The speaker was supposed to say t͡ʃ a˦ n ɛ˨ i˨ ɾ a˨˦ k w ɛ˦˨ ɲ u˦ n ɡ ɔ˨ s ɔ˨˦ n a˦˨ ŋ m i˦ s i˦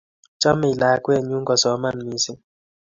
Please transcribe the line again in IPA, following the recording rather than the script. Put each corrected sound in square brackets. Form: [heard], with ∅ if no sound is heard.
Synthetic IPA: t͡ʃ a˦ [m] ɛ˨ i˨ [l] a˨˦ k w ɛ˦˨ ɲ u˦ [ŋ] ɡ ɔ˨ s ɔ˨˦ [m] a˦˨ [n] m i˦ s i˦